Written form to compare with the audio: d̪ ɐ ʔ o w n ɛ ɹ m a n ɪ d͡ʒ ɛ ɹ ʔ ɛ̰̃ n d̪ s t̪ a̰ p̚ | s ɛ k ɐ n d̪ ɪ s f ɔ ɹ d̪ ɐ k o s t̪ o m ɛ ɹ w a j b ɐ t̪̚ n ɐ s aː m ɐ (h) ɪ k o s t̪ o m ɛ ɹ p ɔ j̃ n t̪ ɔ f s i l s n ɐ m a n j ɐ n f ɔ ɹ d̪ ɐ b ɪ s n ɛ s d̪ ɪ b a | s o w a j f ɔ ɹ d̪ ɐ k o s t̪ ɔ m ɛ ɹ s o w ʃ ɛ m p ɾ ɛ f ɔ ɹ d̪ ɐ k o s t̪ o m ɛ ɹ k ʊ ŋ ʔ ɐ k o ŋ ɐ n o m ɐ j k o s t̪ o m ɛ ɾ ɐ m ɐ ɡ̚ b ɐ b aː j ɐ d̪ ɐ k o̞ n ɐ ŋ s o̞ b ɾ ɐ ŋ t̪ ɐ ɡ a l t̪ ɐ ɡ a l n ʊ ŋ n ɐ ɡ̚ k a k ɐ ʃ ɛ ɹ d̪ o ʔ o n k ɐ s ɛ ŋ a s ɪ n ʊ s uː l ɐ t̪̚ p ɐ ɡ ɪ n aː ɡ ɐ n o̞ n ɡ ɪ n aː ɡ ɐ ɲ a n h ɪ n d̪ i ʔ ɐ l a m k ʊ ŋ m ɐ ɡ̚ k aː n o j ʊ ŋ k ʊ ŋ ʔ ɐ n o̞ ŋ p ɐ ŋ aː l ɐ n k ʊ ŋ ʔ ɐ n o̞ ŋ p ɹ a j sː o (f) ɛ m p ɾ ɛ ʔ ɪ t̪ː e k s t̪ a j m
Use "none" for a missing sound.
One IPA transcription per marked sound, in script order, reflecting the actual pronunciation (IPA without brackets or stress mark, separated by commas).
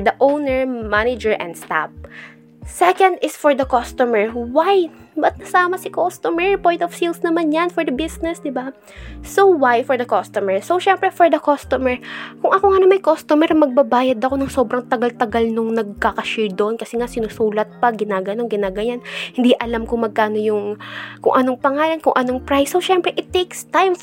s, ʃ